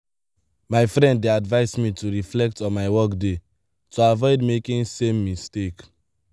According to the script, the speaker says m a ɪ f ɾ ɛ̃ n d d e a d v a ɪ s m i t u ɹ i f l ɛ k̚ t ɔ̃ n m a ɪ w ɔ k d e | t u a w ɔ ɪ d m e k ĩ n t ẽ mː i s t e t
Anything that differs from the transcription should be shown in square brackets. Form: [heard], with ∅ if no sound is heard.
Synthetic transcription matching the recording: m a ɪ f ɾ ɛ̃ n d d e a d v a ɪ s m i t u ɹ i f l ɛ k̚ t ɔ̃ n m a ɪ w ɔ k d e | t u a [v] ɔ ɪ d m e k ĩ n [s] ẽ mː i s t e [k]